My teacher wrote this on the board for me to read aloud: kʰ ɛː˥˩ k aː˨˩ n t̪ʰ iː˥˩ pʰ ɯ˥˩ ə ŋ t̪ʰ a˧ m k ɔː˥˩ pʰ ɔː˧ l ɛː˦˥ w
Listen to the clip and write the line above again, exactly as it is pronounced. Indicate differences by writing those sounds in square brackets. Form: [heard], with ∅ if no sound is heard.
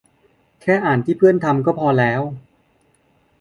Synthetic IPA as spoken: kʰ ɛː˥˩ [ʔ] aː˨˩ n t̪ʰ iː˥˩ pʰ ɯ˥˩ ə [n] t̪ʰ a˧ m k ɔː˥˩ pʰ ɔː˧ l ɛː˦˥ w